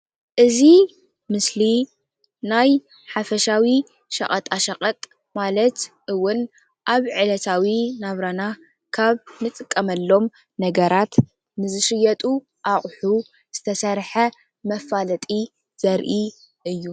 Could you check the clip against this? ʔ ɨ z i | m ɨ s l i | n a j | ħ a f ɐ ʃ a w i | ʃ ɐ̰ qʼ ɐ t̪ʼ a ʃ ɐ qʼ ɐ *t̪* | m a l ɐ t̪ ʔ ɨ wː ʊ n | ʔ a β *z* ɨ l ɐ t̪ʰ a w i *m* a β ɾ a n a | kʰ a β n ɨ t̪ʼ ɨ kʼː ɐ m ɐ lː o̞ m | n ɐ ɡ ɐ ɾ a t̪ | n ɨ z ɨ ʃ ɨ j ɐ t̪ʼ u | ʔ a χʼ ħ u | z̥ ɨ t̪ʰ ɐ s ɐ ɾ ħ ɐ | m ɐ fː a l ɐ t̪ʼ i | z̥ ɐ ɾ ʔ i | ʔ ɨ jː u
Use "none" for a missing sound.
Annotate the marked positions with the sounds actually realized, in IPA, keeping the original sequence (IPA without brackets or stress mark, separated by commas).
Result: t̪ʼ, ʕ, n